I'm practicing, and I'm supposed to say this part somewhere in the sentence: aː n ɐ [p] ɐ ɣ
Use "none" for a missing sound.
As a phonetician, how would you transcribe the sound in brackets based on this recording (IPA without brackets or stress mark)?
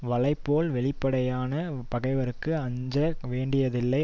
p